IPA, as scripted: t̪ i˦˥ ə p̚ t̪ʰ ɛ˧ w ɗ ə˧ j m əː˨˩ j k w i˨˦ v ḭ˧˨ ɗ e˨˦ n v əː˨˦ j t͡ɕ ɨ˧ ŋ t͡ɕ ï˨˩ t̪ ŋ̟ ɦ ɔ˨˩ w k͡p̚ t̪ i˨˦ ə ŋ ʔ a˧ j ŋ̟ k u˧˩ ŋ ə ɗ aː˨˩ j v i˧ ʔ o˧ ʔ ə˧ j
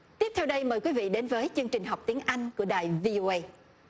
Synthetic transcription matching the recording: t̪ i˦˥ ə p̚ t̪ʰ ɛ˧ w ɗ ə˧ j m əː˨˩ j k w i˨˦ v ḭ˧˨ ɗ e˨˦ n v əː˨˦ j t͡ɕ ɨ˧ ŋ t͡ɕ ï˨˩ ŋ̟ ɦ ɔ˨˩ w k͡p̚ t̪ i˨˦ ə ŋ ʔ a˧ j ŋ̟ k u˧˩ ə ɗ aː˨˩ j v i˧ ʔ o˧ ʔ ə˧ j

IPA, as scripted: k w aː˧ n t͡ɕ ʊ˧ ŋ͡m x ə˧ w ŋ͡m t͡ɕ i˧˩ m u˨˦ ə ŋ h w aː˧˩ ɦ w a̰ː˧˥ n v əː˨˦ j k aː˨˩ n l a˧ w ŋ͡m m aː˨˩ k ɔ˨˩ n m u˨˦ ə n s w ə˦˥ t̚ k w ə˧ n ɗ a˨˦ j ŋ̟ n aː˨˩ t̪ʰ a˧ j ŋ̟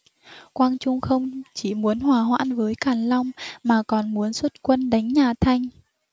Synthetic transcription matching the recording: k w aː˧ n t͡ɕ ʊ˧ ŋ͡m x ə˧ w ŋ͡m t͡ɕ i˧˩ m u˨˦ ə n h w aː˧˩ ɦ w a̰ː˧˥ n v əː˨˦ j k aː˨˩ n l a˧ w ŋ͡m m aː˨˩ k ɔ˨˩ n m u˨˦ ə n s w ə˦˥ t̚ k w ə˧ n ɗ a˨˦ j ŋ̟ ɲ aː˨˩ t̪ʰ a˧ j ŋ̟

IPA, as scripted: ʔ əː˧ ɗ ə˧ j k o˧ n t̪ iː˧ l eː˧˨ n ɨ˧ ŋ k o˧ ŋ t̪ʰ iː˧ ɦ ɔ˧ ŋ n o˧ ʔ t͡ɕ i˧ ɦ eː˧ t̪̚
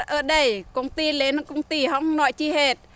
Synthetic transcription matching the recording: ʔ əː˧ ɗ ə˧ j k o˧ ŋ t̪ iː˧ l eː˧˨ n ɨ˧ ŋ k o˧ ŋ t̪ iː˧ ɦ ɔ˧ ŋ n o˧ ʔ t͡ɕ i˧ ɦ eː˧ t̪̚

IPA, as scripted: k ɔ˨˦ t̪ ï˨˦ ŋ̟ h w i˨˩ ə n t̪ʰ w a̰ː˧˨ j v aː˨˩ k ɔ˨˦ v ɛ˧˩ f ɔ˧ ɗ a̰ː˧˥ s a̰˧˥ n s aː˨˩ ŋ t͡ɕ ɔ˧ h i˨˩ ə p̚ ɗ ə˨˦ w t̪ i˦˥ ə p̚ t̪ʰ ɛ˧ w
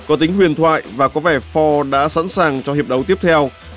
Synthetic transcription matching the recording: k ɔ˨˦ t̪ ï˨˦ ŋ̟ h w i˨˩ ə n t̪ʰ w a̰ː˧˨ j v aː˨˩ k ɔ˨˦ v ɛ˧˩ f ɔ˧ ɗ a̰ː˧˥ s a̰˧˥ n s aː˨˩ ŋ t͡ɕ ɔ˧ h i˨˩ ə p̚ ɗ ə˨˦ w t̪ i˦˥ ə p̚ t̪ʰ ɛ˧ w

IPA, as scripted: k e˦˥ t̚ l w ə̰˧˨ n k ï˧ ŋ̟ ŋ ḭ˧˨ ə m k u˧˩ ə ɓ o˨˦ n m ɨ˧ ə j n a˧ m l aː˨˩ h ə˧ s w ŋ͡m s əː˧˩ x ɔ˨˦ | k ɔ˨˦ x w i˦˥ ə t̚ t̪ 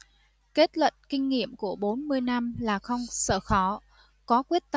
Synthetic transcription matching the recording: k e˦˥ t̚ l w ə̰˧˨ n k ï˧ ŋ̟ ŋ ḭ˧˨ ə m k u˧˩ ə ɓ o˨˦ n m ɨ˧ ə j n a˧ m l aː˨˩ x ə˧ w ŋ͡m s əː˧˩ x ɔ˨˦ | k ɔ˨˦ k w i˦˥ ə t̚ t̪

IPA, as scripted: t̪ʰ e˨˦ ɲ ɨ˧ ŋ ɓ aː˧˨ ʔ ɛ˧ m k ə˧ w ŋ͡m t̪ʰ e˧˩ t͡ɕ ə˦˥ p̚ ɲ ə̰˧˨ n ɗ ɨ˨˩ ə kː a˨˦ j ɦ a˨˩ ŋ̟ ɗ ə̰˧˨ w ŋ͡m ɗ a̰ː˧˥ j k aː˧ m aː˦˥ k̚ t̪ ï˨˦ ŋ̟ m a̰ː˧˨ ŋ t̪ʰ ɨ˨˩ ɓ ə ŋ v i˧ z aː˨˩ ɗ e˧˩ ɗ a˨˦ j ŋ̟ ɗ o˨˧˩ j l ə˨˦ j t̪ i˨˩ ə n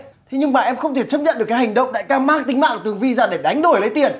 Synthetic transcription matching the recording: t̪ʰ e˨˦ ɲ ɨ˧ ŋ ɓ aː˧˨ ʔ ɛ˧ m x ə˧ w ŋ͡m t̪ʰ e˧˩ t͡ɕ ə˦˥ p̚ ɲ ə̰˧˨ n ɗ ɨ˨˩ ə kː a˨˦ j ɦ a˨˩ ŋ̟ ɗ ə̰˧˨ w ŋ͡m ɗ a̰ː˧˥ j k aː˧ m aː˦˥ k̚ t̪ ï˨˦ ŋ̟ m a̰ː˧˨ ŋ t̪ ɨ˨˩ ə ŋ v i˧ z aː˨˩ ɗ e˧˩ ɗ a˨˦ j ŋ̟ ɗ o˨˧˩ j l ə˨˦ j t̪ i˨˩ ə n

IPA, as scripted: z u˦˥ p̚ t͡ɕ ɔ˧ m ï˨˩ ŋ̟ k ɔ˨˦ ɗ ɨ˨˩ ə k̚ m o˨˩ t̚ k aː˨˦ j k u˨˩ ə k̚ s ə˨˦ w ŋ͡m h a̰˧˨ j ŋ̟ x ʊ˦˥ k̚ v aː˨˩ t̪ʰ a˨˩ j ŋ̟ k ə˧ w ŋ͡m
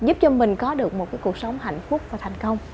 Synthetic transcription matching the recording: z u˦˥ p̚ t͡ɕ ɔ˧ m ï˨˩ ŋ̟ k ɔ˨˦ ɗ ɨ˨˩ ə k̚ m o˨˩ t̚ k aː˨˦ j k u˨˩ ə k̚ s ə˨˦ w ŋ͡m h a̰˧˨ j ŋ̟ f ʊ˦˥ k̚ v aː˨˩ t̪ʰ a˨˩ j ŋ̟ k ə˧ w ŋ͡m

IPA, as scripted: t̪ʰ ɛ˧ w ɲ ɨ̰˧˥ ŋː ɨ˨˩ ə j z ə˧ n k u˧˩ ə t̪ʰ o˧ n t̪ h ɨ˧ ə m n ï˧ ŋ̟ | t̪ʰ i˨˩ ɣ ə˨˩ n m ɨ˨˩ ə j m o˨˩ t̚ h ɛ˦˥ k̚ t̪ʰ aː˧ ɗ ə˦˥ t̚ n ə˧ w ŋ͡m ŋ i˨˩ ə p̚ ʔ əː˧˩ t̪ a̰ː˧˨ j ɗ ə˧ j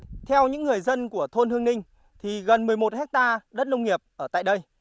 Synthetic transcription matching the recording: t̪ʰ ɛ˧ w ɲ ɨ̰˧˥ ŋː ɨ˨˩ ə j z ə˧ n k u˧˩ ə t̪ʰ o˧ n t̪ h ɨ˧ ə ŋ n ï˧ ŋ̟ | t̪ʰ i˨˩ ɣ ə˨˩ n m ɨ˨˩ ə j m o˨˩ t̚ h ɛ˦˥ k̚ t̪ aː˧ ɗ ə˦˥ t̚ n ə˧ w ŋ͡m ŋ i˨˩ ə p̚ ʔ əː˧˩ t̪ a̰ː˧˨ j ɗ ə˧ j

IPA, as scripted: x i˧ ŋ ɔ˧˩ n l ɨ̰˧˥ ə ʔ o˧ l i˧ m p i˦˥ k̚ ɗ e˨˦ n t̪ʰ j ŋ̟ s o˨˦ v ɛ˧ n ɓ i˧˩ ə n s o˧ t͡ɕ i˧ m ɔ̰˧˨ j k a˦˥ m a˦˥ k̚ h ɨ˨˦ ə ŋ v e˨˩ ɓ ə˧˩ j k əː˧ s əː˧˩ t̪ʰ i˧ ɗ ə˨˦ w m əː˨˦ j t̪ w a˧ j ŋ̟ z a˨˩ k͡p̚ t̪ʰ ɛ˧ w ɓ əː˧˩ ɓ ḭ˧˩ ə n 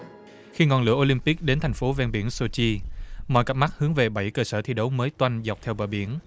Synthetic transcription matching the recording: x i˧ ŋ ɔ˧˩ n l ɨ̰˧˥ ə ʔ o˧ l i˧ m p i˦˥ k̚ ɗ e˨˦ n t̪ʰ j ŋ̟ f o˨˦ v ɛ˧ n ɓ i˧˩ ə n s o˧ t͡ɕ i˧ m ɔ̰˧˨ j k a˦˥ m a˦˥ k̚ h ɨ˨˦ ə ŋ v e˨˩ ɓ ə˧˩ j k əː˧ s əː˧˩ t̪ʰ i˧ ɗ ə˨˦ w m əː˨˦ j t̪ w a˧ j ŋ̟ z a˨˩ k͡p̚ t̪ʰ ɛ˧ w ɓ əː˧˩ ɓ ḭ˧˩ ə n

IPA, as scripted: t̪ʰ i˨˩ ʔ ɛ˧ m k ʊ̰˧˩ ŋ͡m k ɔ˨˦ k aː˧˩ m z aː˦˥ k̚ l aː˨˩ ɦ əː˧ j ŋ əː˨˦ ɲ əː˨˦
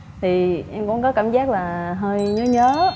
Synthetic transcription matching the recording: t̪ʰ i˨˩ ʔ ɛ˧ m k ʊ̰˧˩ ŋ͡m k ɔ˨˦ k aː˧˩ m z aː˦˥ k̚ l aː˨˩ ɦ əː˧ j ɲ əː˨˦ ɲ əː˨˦

